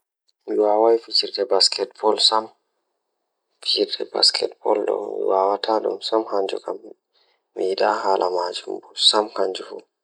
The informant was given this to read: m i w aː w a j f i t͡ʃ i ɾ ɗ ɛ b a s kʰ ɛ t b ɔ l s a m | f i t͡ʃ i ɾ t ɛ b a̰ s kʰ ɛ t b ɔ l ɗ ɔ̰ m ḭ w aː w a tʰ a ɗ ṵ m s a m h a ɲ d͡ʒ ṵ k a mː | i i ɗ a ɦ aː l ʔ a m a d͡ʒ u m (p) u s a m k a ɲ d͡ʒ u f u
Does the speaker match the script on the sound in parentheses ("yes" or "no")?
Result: no